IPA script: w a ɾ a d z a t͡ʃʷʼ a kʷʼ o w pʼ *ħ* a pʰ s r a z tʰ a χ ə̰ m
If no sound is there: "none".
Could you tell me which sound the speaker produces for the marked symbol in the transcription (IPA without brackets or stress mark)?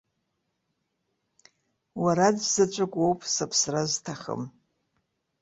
s